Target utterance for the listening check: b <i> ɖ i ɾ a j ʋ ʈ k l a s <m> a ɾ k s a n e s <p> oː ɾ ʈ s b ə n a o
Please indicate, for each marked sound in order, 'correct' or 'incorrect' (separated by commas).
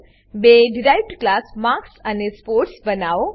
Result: incorrect, correct, correct